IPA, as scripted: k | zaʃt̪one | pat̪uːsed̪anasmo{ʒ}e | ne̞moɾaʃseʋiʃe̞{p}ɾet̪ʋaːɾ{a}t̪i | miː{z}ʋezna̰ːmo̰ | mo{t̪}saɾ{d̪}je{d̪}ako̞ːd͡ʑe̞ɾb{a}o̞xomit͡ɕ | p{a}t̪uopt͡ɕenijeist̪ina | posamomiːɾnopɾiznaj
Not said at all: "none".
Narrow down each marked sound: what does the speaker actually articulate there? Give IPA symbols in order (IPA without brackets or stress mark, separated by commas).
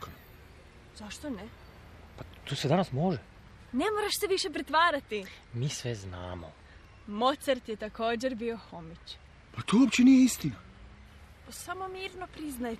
ʒ, p, a, s, t̪, t̪, t̪, i, a